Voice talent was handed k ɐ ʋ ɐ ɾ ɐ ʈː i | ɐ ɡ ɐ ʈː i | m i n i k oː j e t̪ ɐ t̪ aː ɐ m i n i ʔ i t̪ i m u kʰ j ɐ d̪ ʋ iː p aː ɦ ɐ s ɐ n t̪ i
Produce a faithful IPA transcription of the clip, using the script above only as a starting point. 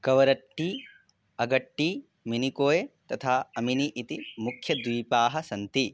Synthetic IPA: k ɐ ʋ ɐ ɾ ɐ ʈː i | ɐ ɡ ɐ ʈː i | m i n i k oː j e t̪ ɐ t̪ʰ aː ɐ m i n i ʔ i t̪ i m u kʰ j ɐ d̪ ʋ iː p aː ɦ ɐ s ɐ n t̪ i